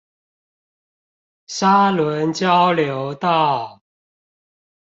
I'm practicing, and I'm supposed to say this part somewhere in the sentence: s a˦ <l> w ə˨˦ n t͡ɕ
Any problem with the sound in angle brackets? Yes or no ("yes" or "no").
no